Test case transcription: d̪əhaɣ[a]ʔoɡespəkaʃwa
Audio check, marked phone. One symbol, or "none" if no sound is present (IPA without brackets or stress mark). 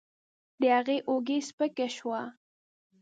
e